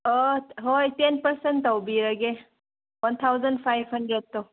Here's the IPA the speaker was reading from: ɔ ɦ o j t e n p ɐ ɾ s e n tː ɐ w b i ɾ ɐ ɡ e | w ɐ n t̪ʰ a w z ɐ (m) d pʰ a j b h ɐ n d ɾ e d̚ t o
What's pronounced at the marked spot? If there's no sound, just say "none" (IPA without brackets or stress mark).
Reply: n